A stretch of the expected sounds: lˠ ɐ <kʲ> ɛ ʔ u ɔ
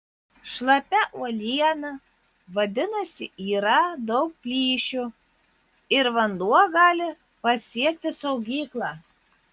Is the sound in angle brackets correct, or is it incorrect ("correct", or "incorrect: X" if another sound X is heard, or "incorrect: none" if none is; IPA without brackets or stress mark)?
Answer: incorrect: pʲ